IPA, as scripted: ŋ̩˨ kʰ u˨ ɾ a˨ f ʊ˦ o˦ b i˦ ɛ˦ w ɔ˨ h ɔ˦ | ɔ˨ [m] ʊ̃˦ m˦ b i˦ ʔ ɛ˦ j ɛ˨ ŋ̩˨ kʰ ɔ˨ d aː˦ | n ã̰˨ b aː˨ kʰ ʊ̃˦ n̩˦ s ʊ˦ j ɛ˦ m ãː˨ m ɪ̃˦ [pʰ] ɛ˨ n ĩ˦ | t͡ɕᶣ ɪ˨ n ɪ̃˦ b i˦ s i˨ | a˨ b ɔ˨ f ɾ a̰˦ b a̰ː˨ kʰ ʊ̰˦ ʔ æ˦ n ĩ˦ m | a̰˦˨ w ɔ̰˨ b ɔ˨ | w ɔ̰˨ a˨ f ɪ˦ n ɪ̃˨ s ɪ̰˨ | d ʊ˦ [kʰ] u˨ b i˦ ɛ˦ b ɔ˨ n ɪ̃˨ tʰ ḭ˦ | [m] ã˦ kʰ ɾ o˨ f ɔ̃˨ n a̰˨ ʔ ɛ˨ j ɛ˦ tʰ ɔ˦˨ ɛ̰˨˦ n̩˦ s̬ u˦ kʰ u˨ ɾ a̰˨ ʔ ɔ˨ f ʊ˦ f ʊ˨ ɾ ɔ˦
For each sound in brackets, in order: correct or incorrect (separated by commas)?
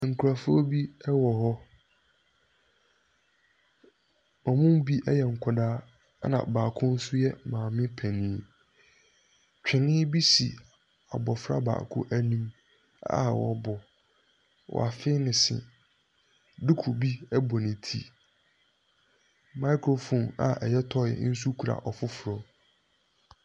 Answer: correct, correct, correct, correct